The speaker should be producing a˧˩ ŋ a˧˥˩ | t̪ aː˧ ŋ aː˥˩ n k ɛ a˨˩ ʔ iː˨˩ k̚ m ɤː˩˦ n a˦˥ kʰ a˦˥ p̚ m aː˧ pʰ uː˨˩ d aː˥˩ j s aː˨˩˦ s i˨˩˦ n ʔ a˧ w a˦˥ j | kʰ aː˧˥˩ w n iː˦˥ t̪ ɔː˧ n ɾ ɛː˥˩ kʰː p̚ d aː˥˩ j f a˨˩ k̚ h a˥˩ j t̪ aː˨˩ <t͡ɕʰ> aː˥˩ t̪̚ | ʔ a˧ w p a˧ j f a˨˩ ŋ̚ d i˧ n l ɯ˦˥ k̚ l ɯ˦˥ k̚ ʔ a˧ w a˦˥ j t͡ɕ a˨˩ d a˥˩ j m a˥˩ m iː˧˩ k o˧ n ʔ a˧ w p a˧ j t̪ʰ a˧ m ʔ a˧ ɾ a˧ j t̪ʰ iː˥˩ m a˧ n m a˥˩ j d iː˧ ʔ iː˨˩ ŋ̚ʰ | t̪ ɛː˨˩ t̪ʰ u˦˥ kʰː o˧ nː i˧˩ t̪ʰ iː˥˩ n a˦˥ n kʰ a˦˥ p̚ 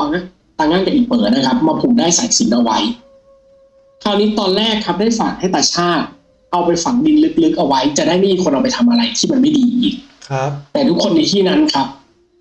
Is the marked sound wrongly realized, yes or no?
no